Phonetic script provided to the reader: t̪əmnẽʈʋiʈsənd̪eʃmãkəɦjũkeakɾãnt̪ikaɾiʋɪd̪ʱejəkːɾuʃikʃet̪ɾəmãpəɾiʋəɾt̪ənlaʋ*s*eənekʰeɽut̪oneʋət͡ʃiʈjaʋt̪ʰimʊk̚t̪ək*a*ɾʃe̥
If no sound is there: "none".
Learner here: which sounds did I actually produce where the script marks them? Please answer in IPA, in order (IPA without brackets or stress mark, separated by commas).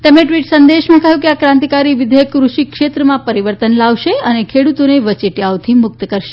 ʃ, ə